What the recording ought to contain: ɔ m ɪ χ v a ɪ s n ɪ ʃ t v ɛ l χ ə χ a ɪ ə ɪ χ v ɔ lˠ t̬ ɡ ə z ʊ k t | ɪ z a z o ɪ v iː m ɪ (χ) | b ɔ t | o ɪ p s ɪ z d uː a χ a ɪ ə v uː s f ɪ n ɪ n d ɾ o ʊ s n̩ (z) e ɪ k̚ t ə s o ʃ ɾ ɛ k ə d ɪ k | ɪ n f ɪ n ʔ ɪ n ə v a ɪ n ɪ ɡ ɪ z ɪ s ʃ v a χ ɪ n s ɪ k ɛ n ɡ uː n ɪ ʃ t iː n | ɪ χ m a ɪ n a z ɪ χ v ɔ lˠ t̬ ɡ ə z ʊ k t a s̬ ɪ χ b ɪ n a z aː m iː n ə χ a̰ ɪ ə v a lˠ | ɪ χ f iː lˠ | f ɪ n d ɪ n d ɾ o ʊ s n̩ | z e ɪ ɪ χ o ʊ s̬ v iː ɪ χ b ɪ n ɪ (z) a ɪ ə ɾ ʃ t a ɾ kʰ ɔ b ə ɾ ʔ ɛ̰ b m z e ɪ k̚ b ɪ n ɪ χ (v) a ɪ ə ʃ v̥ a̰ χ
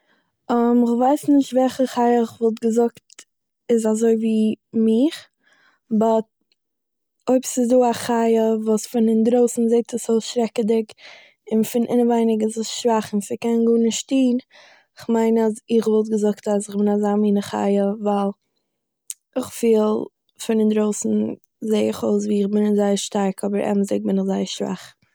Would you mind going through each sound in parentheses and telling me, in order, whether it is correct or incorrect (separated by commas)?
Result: correct, correct, correct, incorrect